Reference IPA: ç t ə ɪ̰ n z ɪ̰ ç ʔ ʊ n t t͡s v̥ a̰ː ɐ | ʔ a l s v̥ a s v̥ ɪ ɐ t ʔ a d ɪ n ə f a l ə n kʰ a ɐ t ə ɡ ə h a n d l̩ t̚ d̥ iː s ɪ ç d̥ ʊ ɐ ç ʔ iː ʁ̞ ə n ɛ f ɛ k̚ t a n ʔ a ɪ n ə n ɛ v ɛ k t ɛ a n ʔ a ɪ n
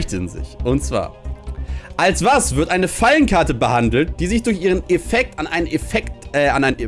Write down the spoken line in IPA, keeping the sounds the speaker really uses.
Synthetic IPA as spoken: ç t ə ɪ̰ n z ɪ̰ ç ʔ ʊ n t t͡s v̥ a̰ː ɐ | ʔ a l s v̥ a s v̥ ɪ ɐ t ʔ a ɪ n ə f a l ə n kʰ a ɐ t ə b ə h a n d l̩ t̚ d̥ iː z ɪ ç d̥ ʊ ɐ ç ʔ iː ʁ̞ ə n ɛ f ɛ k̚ t a n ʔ a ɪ n ə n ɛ f ɛ k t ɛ a n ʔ a ɪ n

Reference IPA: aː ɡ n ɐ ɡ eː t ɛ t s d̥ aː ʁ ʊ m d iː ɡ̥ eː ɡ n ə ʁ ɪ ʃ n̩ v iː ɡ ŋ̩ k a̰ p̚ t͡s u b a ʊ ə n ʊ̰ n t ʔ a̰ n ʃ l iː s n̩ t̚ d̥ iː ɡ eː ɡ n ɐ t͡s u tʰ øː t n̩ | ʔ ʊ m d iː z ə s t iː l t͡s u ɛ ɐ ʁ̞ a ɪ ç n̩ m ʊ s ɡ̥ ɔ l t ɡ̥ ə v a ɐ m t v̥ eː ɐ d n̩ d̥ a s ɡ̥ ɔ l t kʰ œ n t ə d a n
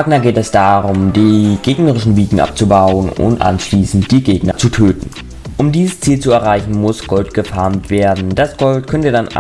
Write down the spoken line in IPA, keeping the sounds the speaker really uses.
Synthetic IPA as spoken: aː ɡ n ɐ ɡ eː t ɛ s d̥ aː ʁ ʊ m d iː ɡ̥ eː ɡ n ə ʁ ɪ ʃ n̩ v iː ɡ ŋ̩ ʔ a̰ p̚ t͡s u b a ʊ ə n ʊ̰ n t ʔ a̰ n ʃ l iː s n̩ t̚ d̥ iː ɡ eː ɡ n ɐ t͡s u tʰ øː t n̩ | ʔ ʊ m d iː z ə s t͡s iː l t͡s u ɛ ɐ ʁ̞ a ɪ ç n̩ m ʊ s ɡ̥ ɔ l t ɡ̥ ə f a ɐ m t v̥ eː ɐ d n̩ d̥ a s ɡ̥ ɔ l t kʰ œ n t ə d a n

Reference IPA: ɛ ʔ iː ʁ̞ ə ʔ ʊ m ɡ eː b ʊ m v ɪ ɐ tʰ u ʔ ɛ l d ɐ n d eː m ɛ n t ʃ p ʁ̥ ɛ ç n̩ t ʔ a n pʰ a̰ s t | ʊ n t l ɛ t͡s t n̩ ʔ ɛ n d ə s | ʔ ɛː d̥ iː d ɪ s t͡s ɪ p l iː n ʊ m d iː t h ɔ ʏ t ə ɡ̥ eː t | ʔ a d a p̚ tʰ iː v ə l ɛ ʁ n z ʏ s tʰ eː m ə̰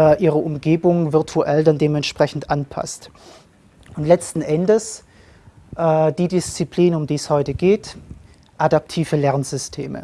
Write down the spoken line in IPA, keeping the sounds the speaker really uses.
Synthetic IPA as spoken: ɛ ʔ iː ʁ̞ ə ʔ ʊ m ɡ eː b ʊ ŋ v ɪ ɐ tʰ u ʔ ɛ l d a n d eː m ɛ n t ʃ p ʁ̥ ɛ ç n̩ t ʔ a n pʰ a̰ s t | ʊ n t l ɛ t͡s t n̩ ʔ ɛ n d ə s | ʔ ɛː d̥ iː d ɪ s t͡s i p l iː n ʊ m d iː s h ɔ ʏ t ə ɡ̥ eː t | ʔ a d a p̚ tʰ iː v ə l ɛ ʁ n z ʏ s tʰ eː m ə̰

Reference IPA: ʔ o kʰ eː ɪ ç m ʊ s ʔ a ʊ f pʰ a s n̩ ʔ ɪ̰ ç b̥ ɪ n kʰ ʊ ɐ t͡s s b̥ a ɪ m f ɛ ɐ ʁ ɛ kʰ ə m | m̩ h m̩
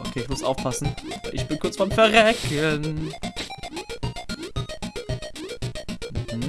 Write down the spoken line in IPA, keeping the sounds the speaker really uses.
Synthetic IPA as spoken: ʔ o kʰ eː ɪ ç m ʊ s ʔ a ʊ f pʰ a s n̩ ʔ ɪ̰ ç b̥ ɪ n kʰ ʊ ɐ t͡s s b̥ a ɪ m f ɛ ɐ ʁ ɛ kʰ ə n | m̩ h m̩

